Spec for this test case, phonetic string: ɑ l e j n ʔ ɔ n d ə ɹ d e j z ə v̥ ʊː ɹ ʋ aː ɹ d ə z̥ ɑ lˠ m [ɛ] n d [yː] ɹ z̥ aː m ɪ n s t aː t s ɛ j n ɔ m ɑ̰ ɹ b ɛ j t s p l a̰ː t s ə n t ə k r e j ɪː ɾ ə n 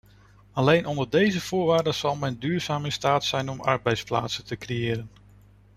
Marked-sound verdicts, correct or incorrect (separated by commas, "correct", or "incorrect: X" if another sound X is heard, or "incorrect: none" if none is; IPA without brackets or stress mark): correct, correct